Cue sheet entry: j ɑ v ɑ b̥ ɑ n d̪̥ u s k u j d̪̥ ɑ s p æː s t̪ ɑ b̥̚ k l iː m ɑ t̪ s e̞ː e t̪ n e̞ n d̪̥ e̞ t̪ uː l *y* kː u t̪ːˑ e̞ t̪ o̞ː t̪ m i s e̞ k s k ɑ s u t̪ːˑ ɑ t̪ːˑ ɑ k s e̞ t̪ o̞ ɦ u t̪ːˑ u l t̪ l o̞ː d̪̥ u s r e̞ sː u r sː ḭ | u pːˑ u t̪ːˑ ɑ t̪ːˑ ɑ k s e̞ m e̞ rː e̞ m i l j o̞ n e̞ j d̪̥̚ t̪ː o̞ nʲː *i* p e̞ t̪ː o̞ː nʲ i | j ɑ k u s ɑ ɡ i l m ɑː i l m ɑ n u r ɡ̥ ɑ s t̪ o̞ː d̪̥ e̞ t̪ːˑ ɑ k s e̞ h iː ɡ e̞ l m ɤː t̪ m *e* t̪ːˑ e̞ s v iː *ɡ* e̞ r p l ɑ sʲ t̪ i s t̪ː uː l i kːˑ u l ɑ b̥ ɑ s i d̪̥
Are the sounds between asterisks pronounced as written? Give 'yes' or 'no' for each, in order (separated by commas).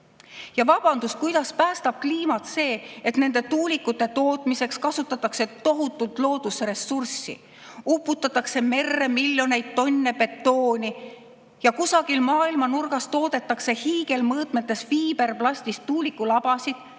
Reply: no, no, yes, no